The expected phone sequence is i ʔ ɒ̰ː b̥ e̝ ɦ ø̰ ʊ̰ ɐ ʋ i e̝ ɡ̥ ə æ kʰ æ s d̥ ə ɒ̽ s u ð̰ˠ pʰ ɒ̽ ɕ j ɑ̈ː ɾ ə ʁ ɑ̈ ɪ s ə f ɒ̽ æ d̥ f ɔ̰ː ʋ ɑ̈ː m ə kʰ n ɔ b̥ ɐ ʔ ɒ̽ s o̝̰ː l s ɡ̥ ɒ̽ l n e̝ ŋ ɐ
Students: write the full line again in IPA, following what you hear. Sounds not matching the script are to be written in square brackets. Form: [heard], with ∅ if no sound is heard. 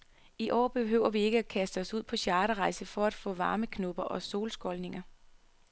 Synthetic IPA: i ʔ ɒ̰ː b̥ e̝ ɦ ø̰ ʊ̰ ɐ ʋ i e̝ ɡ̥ ə æ kʰ æ s d̥ ə ɒ̽ s u ð̰ˠ pʰ ɒ̽ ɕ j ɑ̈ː ɾ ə ʁ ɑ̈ ɪ s ə f ɒ̽ æ d̥ f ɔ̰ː ʋ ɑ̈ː m ə kʰ n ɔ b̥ ɐ ʔ ɒ̽ s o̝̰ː l s ɡ̥ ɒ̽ l n e̝ ŋ ɐ

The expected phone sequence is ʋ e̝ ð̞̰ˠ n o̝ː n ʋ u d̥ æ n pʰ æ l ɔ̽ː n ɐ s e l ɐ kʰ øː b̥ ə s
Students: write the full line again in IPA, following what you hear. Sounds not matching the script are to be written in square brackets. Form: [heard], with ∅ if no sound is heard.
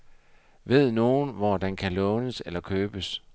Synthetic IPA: ʋ e̝ ð̞̰ˠ n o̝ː n ʋ [ɒ] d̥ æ n [kʰ] æ l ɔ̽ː n [ə] s e l ɐ kʰ øː b̥ ə s

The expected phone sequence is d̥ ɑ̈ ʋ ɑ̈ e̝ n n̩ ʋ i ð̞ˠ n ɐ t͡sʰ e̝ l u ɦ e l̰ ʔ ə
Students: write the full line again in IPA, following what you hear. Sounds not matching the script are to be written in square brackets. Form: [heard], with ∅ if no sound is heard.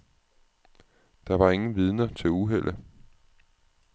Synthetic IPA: d̥ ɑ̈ ʋ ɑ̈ e̝ [ŋ] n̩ ʋ i ð̞ˠ n ɐ t͡sʰ e̝ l u ɦ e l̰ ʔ ə

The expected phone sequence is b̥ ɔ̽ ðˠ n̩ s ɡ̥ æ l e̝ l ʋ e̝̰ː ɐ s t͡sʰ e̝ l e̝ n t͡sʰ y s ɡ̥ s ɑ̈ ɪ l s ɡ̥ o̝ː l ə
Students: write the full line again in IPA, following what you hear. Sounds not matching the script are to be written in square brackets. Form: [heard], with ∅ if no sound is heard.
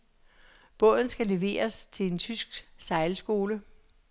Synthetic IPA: b̥ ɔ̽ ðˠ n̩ s ɡ̥ æ l e̝ [∅] ʋ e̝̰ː ɐ s t͡sʰ e̝ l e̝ n t͡sʰ y s ɡ̥ s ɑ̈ ɪ l s ɡ̥ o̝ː l ə

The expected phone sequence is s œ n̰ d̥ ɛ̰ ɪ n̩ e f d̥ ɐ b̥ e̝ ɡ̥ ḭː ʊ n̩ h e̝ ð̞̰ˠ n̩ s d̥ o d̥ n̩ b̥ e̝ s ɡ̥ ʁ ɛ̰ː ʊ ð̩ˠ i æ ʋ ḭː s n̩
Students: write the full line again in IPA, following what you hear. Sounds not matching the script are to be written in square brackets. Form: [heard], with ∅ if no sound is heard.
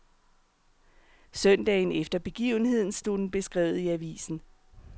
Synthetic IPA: s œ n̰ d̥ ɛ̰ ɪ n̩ e f d̥ ɐ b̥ e̝ ɡ̥ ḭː ʊ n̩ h e̝ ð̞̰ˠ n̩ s d̥ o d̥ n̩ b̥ e̝ s ɡ̥ ʁ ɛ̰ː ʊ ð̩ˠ i æ ʋ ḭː s n̩

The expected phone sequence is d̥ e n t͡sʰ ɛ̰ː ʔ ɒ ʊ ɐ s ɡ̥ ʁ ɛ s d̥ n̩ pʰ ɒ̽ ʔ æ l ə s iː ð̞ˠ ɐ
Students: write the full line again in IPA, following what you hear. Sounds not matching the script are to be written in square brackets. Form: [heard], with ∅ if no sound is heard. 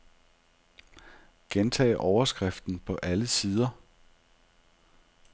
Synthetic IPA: [ɡ̥] e n t͡sʰ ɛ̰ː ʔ ɒ ʊ ɐ s ɡ̥ ʁ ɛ [f] d̥ n̩ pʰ ɒ̽ ʔ æ l ə s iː ð̞ˠ ɐ

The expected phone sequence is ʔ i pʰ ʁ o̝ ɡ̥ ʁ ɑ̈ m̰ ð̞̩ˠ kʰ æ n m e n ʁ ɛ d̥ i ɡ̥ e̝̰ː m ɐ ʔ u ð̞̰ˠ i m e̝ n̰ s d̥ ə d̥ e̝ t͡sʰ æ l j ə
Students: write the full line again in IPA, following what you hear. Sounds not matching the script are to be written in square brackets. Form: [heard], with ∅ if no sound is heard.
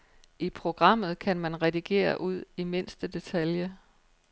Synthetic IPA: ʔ i pʰ ʁ o̝ ɡ̥ ʁ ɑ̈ m̰ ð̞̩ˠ kʰ æ n m [æ] n ʁ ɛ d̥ i ɡ̥ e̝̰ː [∅] ɐ ʔ u ð̞̰ˠ i m e̝ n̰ s d̥ ə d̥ e̝ t͡sʰ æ l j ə

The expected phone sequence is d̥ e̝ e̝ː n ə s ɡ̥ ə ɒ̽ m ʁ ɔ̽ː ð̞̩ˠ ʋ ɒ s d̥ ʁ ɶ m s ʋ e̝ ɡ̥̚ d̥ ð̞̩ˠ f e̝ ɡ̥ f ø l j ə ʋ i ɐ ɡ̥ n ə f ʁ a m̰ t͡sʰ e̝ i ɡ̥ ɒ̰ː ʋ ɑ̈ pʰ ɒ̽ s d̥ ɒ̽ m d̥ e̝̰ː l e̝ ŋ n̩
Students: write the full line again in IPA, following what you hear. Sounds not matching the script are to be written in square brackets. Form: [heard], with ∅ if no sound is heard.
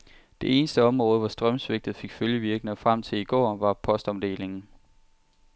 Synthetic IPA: d̥ e̝ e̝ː n ə s [d̥] ə ɒ̽ m ʁ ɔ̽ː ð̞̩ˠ ʋ ɒ s d̥ ʁ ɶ m s ʋ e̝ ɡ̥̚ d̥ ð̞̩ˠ f e̝ ɡ̥ f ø l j ə ʋ i ɐ ɡ̥ n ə f ʁ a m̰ t͡sʰ e̝ i ɡ̥ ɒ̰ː ʋ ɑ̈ pʰ ɒ̽ s d̥ ɒ̽ m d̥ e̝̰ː l e̝ ŋ n̩

